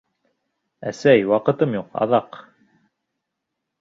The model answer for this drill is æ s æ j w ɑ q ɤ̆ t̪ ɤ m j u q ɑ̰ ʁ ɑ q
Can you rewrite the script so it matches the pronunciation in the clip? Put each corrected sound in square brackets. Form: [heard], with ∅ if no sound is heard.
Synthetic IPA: æ s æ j w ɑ q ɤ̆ t̪ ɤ m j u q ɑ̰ [ð] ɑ q